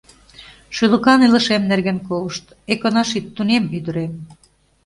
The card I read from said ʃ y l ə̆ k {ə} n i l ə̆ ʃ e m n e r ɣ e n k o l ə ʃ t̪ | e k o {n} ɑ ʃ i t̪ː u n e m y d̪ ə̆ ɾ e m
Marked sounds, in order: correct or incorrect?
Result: incorrect: ɑ, correct

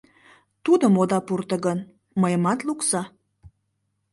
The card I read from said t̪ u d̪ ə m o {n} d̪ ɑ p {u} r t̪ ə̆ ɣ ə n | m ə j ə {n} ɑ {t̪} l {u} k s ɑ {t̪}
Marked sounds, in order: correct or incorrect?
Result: incorrect: none, correct, incorrect: m, correct, correct, incorrect: none

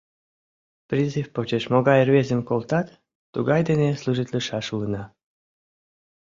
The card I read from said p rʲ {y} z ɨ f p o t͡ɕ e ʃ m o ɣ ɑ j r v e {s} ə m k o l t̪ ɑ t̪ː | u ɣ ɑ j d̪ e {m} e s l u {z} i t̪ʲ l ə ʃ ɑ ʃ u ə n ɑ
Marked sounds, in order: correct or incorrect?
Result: incorrect: i, incorrect: z, incorrect: n, incorrect: ʒ

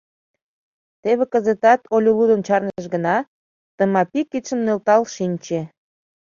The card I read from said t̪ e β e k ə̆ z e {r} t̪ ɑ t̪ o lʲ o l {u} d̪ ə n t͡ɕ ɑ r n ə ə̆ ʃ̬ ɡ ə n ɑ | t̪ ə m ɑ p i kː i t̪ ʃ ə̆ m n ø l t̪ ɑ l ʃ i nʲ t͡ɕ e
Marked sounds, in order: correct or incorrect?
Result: incorrect: none, correct

